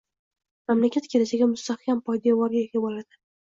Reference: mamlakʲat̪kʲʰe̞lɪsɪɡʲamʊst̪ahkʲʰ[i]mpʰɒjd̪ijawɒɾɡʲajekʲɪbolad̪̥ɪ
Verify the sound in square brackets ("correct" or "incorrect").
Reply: incorrect